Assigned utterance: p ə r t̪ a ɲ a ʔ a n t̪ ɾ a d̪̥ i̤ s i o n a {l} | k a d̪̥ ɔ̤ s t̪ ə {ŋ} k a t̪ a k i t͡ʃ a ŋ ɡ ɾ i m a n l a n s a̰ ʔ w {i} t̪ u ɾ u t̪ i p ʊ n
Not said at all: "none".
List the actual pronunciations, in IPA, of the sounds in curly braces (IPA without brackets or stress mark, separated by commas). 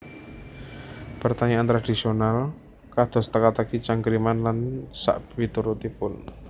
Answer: l, none, i